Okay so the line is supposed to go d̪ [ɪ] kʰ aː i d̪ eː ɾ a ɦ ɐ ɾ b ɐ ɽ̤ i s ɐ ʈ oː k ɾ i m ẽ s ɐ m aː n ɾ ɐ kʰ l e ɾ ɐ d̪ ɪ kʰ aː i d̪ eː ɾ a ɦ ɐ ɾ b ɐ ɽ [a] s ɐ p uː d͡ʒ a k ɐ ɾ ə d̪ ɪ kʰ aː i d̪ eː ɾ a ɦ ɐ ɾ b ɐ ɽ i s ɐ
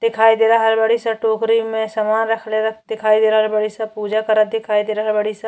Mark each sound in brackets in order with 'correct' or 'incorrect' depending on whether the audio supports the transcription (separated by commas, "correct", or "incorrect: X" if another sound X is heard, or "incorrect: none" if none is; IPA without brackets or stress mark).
correct, incorrect: i